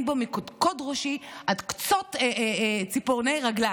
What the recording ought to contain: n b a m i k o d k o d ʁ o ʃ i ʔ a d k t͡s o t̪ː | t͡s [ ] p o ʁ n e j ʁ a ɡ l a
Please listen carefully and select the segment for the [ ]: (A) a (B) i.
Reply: B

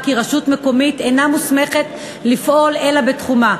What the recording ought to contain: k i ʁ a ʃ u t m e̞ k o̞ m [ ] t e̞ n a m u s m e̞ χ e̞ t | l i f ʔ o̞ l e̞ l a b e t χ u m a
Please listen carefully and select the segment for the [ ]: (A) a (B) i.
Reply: B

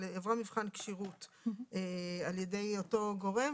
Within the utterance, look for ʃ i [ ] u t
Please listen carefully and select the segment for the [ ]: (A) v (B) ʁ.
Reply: B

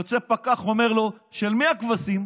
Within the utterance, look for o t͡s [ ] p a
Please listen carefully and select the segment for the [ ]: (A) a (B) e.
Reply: B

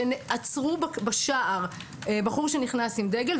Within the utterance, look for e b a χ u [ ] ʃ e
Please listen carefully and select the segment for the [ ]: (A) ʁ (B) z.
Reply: A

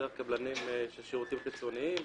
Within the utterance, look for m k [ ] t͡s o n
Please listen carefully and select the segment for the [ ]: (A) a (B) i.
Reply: B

